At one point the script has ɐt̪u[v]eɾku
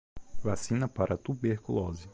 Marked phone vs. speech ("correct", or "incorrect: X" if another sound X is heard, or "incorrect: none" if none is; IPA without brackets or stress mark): incorrect: b